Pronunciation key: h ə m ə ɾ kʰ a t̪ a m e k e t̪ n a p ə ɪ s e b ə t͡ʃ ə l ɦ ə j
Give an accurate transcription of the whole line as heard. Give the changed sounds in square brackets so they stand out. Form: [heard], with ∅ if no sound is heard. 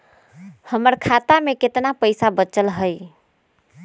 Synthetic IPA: h ə m ə ɾ kʰ a t̪ a m e k e t̪ n a p ə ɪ s [a] b ə t͡ʃ ə l ɦ ə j